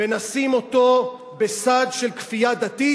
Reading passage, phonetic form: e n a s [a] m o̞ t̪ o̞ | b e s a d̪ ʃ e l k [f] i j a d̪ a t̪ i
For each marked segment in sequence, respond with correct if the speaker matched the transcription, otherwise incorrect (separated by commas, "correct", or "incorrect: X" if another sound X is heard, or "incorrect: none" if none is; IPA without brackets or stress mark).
incorrect: i, correct